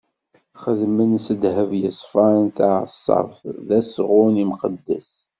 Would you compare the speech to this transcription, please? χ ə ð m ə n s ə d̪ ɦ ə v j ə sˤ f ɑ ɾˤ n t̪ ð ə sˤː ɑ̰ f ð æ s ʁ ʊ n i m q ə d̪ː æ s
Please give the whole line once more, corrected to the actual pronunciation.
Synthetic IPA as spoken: χ ə ð m ə n s ə d̪ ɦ ə v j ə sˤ f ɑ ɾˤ n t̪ ʕ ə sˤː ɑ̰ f ð æ s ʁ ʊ n i m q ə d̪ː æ s

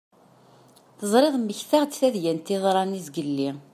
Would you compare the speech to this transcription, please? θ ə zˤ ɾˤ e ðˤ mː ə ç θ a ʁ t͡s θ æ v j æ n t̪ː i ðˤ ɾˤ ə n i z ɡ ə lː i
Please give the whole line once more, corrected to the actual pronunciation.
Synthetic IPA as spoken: θ ə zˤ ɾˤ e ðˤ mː ə ç θ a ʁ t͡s θ æ ð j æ n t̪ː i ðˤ ɾˤ ɑ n i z ɡ ə lː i

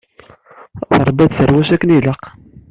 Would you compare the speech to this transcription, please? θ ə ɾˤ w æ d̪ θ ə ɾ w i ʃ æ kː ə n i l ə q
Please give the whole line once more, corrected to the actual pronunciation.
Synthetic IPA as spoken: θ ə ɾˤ b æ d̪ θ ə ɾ w æ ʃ æ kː ə n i l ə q

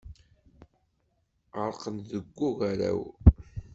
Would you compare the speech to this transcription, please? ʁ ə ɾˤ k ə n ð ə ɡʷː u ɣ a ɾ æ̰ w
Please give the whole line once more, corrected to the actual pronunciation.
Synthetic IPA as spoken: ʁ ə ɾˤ q ə n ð ə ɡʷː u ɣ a ɾ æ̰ w

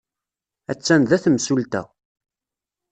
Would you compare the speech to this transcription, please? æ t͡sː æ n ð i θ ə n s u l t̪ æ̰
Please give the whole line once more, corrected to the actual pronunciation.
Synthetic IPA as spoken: æ t͡sː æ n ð æ θ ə m s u l t̪ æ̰

